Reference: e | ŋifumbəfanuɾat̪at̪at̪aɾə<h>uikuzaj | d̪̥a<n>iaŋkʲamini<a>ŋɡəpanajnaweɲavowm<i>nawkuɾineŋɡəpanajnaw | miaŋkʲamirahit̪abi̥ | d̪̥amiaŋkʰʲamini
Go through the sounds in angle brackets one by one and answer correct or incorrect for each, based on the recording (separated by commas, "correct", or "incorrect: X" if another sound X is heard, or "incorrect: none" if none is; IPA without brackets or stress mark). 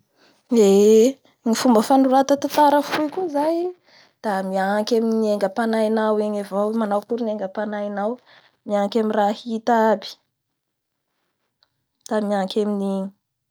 incorrect: f, incorrect: m, incorrect: e, incorrect: a